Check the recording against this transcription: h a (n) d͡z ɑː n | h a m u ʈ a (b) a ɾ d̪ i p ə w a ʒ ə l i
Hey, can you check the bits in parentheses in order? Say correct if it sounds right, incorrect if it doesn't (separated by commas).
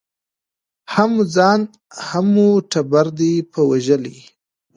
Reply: incorrect, correct